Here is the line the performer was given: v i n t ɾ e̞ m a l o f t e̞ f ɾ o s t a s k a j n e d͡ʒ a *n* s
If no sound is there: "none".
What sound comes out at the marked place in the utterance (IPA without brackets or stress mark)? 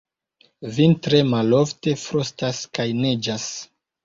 none